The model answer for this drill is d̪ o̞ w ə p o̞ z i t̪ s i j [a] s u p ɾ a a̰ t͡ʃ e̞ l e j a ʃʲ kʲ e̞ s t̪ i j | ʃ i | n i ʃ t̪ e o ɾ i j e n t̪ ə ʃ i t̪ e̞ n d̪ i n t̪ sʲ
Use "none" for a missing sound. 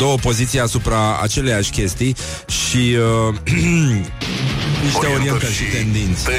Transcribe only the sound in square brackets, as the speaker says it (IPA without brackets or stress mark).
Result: a